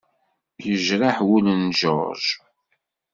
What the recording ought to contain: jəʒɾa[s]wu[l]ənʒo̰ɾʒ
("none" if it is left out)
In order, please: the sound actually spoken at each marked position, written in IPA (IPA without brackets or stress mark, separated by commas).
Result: ħ, l